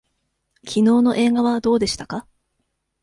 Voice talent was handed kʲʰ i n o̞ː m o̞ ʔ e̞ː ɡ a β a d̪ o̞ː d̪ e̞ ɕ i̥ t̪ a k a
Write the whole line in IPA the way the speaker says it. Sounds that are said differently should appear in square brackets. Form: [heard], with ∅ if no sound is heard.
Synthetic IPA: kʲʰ i n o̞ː [n] o̞ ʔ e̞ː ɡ a β a d̪ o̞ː d̪ e̞ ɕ i̥ t̪ a k a